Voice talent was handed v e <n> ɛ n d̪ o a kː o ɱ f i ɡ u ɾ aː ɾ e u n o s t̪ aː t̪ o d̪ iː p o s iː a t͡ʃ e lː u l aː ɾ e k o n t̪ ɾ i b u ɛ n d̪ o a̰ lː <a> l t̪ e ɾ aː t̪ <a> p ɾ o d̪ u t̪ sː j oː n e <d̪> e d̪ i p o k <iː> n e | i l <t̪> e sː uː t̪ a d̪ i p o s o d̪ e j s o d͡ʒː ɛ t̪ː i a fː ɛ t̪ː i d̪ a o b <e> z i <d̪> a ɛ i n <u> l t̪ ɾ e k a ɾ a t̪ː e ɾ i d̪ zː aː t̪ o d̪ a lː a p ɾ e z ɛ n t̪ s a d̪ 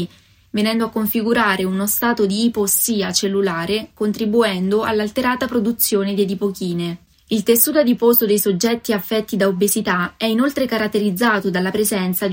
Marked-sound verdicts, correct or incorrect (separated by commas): correct, correct, correct, correct, correct, correct, correct, incorrect, incorrect